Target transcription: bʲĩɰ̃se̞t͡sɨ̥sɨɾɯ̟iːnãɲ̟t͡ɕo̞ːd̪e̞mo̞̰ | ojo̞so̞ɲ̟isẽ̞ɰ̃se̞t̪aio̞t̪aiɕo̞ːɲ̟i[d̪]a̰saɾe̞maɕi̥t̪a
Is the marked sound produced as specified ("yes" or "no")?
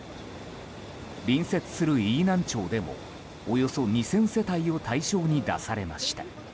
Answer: yes